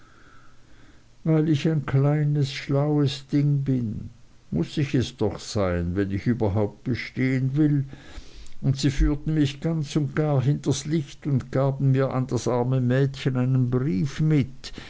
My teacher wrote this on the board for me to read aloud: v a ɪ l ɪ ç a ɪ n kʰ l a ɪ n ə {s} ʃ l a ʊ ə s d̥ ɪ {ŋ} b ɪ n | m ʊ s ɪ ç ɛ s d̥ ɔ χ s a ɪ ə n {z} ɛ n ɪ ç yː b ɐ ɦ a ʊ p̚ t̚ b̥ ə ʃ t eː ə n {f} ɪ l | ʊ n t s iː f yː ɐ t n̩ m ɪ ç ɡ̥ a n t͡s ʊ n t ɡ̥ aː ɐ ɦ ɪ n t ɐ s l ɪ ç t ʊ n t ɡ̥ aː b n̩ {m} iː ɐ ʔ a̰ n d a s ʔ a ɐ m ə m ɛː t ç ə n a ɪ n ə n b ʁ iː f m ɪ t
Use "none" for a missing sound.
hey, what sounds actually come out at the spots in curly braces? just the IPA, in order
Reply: s, ŋ, v, v, m

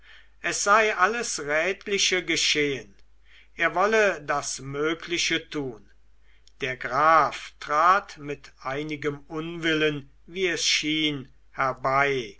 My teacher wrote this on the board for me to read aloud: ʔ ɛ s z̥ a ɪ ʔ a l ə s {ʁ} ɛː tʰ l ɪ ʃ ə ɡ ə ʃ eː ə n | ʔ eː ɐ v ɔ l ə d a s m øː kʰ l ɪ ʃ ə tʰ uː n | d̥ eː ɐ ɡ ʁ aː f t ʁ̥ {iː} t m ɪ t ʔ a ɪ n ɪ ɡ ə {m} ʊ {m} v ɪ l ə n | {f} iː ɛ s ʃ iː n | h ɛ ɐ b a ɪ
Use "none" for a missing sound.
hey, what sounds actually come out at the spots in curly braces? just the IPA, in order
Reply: ʁ, aː, m, n, v

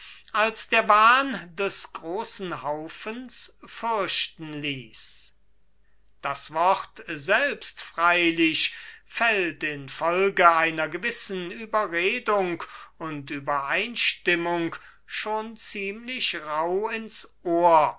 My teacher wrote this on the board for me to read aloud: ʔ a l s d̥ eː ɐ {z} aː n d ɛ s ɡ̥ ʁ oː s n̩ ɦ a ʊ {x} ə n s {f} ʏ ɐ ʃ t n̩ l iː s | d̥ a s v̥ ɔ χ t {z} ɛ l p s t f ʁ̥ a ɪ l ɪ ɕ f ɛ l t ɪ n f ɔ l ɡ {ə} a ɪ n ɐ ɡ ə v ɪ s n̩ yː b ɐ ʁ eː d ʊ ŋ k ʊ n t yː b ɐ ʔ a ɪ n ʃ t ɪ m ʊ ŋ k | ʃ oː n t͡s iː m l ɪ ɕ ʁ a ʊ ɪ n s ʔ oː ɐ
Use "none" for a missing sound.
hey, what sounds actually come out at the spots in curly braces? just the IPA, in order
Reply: v, f, f, z, ə

